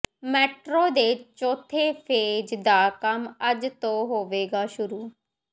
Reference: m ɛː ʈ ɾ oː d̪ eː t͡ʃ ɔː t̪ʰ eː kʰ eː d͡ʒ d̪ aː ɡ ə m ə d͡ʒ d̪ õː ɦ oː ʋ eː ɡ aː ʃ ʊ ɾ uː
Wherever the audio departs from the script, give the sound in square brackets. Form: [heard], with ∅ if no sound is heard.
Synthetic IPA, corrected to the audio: m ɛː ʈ ɾ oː d̪ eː t͡ʃ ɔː t̪ʰ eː [pʰ] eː d͡ʒ d̪ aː [k] ə m ə d͡ʒ [t̪] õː ɦ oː ʋ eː ɡ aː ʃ ʊ ɾ uː